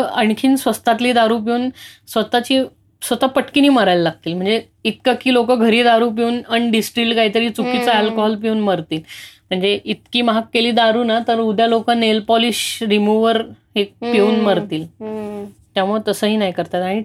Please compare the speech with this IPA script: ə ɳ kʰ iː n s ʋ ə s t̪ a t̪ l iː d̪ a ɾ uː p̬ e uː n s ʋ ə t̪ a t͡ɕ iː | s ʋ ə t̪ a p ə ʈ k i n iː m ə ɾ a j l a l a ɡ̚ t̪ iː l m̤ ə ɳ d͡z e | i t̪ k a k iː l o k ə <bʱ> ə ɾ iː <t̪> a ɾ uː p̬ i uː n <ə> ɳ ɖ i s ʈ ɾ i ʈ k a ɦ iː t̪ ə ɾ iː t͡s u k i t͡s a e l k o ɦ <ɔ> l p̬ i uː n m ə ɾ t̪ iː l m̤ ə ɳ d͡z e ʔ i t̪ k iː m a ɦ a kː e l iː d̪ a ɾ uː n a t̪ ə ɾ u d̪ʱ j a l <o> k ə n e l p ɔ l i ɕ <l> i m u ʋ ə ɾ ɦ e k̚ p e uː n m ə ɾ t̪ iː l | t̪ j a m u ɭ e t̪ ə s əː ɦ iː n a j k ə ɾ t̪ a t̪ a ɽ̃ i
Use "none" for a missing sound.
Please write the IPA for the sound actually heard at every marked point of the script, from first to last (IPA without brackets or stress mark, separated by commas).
ɡʱ, d̪, ə, ɔ, o, ɾ